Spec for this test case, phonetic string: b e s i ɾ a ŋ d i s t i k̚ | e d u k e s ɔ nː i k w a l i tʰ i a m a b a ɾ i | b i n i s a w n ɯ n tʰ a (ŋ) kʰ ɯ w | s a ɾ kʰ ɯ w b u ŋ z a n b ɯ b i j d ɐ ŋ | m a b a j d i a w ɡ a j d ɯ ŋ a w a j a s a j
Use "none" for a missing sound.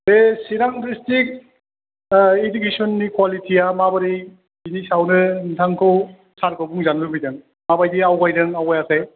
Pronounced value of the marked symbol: ŋ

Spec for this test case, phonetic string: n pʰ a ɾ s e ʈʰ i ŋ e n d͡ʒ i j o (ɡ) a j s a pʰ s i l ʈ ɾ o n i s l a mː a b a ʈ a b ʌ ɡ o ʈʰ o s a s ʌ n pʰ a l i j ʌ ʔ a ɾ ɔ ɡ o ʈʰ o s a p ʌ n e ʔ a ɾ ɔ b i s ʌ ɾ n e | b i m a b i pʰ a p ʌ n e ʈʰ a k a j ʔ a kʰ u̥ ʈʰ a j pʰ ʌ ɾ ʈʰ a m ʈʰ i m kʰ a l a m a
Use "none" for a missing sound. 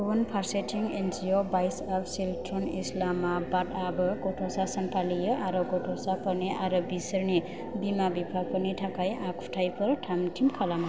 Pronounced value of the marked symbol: b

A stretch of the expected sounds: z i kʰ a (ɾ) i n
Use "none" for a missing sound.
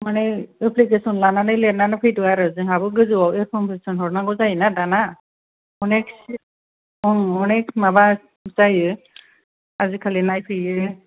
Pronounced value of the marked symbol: l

